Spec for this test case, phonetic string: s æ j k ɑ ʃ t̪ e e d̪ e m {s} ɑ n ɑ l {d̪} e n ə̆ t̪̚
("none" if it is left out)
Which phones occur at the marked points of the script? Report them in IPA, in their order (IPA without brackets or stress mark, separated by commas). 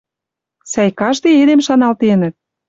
ʃ, t̪